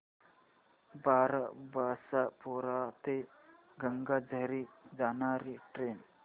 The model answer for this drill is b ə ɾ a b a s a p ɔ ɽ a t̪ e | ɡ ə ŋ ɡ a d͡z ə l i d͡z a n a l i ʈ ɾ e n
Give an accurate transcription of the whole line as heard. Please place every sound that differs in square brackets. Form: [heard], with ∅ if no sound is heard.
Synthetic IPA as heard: b [a] ɾ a b a s a p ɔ [ɾ] a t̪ e | ɡ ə ŋ ɡ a d͡z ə [ɾ] i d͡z a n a [ɾ] i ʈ ɾ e n